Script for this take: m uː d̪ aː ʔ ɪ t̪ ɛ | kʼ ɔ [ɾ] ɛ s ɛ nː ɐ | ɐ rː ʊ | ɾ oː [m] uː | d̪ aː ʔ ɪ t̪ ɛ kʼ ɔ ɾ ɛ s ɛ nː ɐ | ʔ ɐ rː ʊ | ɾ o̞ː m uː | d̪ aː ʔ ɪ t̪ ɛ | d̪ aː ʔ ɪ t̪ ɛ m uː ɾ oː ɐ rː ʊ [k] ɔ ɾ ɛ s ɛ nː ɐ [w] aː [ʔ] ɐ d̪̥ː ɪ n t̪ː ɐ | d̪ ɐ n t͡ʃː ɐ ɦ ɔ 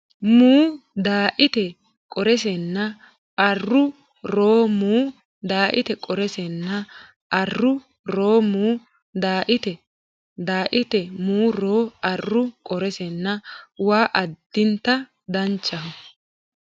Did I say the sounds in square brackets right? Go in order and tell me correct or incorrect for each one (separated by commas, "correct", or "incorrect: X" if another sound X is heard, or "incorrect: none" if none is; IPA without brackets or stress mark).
correct, correct, incorrect: kʼ, correct, correct